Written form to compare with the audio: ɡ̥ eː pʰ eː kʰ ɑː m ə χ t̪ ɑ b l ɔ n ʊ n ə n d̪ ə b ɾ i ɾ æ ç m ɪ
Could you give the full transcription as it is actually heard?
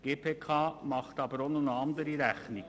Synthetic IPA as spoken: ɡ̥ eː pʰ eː kʰ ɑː m ɑ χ t̪ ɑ b ɾ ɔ n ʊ n ɑ n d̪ ə ɾ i ɾ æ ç n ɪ